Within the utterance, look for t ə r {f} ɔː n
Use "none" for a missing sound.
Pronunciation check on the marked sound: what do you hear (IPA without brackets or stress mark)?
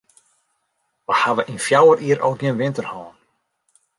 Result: h